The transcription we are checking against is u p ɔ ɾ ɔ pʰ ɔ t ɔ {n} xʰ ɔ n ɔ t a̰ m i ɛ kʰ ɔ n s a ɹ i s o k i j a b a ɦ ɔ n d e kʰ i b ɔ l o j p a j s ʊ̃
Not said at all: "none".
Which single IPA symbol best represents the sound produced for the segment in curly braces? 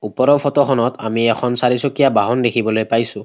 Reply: none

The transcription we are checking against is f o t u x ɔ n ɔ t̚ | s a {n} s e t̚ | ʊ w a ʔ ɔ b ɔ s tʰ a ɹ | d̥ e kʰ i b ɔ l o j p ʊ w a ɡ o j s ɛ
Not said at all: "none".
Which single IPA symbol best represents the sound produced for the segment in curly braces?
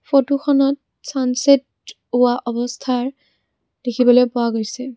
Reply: n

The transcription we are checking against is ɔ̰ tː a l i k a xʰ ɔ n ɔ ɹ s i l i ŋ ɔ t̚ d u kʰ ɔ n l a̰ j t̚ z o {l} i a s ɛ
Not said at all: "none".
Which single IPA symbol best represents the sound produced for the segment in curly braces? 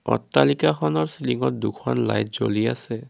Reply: l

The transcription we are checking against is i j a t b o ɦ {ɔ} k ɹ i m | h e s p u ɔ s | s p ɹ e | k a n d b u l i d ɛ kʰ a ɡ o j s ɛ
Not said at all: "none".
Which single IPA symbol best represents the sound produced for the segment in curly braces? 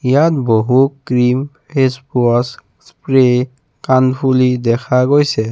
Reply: u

